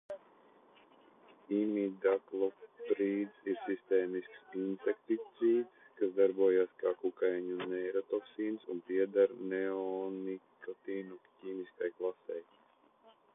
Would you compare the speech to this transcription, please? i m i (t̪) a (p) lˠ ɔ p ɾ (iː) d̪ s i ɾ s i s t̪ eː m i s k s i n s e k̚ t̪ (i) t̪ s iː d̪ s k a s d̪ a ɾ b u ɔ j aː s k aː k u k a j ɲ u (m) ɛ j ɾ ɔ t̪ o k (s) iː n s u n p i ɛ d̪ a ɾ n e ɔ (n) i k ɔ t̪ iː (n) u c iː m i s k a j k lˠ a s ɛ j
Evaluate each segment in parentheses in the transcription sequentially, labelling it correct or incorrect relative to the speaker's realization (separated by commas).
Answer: incorrect, incorrect, correct, correct, incorrect, correct, correct, correct